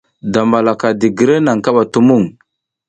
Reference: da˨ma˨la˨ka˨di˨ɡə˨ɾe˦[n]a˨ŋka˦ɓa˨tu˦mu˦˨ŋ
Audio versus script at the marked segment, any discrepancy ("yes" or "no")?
no